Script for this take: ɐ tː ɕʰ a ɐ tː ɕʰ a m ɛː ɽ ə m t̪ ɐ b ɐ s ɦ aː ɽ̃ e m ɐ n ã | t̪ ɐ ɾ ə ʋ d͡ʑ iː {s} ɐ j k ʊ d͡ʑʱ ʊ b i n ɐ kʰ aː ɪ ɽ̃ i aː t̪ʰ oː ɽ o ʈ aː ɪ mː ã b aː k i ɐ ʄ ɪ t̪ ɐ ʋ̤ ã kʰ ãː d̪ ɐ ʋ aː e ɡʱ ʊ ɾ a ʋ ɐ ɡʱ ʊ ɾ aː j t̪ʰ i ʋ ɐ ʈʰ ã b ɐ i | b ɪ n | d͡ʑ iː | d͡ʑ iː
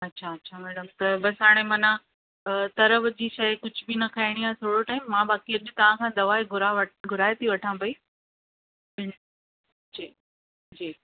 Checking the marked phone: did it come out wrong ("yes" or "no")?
yes